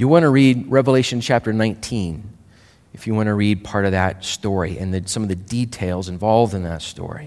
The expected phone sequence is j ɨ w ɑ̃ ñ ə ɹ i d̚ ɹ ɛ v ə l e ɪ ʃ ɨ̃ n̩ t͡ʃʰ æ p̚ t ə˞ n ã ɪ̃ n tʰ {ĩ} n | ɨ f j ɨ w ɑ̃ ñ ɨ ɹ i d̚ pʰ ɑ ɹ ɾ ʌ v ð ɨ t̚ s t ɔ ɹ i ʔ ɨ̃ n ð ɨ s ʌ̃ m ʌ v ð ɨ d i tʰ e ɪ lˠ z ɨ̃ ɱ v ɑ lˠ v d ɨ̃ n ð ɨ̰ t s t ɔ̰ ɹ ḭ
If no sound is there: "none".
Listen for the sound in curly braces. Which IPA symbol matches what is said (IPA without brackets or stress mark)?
ĩ